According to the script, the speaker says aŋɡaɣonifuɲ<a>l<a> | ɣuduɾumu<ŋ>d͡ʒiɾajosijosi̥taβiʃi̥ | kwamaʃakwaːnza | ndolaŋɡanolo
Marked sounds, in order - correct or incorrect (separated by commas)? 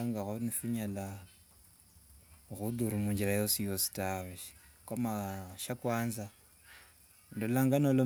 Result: correct, correct, incorrect